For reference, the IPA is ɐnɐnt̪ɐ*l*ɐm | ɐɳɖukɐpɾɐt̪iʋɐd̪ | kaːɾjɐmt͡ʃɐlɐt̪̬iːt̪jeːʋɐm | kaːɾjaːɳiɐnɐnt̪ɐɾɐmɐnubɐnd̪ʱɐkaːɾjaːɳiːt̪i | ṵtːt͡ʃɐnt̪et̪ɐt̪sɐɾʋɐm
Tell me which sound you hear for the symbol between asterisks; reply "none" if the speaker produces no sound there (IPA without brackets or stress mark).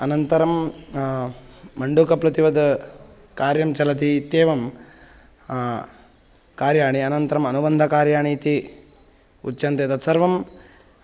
ɾ